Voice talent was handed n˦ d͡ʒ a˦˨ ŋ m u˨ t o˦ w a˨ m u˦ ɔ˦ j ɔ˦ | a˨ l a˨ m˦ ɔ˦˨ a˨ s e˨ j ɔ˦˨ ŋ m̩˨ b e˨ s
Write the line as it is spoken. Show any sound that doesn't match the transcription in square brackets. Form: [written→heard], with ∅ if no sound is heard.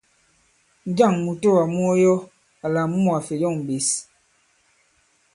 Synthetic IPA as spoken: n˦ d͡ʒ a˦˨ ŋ m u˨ t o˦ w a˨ m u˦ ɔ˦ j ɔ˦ | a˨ l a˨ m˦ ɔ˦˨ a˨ [s→f] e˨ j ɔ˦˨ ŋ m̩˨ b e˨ s